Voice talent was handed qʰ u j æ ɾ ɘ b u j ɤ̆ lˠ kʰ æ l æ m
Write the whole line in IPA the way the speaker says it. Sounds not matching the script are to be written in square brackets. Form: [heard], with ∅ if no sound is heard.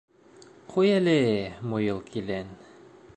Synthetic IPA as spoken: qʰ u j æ [l] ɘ [m] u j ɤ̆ lˠ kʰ [i] l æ [n]